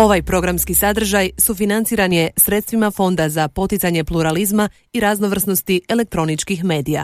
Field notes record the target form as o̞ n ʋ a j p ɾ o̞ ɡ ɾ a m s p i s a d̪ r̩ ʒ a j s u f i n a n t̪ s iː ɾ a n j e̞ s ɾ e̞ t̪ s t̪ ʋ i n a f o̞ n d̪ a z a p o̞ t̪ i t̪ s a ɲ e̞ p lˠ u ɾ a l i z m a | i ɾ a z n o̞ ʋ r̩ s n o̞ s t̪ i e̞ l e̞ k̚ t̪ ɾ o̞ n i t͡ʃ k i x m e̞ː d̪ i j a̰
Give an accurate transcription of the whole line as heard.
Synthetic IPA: o̞ ʋ a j p ɾ o̞ ɡ ɾ a m s k i s a d̪ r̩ ʒ a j s u f i n a n t̪ s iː ɾ a n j e̞ s ɾ e̞ t̪ s t̪ ʋ i m a f o̞ n d̪ a z a p o̞ t̪ i t̪ s a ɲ e̞ p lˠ u ɾ a l i z m a | i ɾ a z n o̞ ʋ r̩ s n o̞ s t̪ i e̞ l e̞ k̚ t̪ ɾ o̞ n i t͡ʃ k i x m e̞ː d̪ i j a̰